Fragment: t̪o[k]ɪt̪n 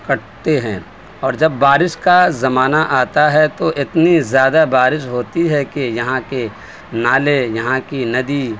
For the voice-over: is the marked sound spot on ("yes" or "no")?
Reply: no